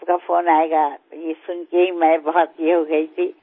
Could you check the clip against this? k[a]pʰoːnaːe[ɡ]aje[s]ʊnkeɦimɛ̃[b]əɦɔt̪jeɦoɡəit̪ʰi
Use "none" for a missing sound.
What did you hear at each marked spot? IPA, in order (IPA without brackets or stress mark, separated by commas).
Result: a, ɡ, s, b